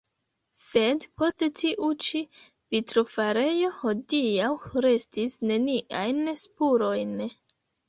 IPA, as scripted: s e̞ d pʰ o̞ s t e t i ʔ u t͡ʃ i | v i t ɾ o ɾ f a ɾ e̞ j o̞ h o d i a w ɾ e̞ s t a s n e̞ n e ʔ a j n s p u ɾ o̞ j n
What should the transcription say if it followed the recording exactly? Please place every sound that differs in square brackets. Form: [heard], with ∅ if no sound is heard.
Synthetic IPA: s e̞ d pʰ o̞ s t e t i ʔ u t͡ʃ i | v i t ɾ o [∅] f a ɾ e̞ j o̞ h o d i a w ɾ e̞ s t [i] s n e̞ n [i] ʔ a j n s p u ɾ o̞ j n